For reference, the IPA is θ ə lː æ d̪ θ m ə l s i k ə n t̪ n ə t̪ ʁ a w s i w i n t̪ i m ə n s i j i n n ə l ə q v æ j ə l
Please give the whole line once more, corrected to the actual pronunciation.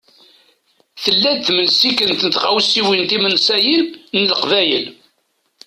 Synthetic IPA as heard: θ ə lː æ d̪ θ m ə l s i k ə n t̪ n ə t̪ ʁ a w s i w i n t̪ i m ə n s æ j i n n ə l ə q v æ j ə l